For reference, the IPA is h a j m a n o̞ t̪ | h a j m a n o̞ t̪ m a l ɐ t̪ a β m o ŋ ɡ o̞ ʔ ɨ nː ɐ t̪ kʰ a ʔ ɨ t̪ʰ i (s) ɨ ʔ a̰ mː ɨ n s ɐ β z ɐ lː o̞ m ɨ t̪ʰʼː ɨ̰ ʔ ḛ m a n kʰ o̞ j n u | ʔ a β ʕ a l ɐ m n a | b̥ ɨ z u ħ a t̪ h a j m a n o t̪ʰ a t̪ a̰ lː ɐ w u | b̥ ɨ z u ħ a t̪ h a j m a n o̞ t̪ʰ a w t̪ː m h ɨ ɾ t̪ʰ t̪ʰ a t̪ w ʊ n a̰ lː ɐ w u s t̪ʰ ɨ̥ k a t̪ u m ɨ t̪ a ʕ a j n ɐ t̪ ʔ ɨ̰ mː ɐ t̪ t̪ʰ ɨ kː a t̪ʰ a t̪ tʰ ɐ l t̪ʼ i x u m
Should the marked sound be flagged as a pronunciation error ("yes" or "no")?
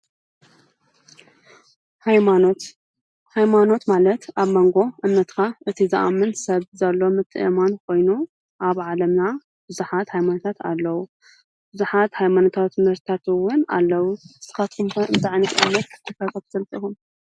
yes